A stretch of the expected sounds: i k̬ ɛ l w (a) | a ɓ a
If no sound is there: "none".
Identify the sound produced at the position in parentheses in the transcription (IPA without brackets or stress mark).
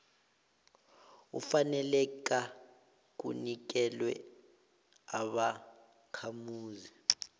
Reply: ɛ